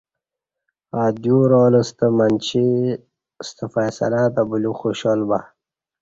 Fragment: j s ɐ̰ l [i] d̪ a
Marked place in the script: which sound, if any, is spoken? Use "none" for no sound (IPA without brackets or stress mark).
a